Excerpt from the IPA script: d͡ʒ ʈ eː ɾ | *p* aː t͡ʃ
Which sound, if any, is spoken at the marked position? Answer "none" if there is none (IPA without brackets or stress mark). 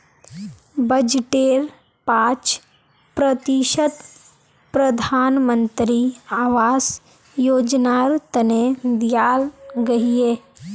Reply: p